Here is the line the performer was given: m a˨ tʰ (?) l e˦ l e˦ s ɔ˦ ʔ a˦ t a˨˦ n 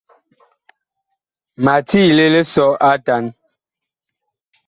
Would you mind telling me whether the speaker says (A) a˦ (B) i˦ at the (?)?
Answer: B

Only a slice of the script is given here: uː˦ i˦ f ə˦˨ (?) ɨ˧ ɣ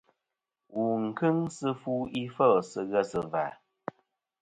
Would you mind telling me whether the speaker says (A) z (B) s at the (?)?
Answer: B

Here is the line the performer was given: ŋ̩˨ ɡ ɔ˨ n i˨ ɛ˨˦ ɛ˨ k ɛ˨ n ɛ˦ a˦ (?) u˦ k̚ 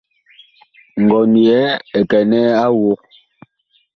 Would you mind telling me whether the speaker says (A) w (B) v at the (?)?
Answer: A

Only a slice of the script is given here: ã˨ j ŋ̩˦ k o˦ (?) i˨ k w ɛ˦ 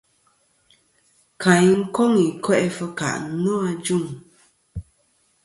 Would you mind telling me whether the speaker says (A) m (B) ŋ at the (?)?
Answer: B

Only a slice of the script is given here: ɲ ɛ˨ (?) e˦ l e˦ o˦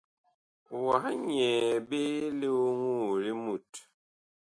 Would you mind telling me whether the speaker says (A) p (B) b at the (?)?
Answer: B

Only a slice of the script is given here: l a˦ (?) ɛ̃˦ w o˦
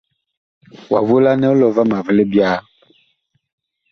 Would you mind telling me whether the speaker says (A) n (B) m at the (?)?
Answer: A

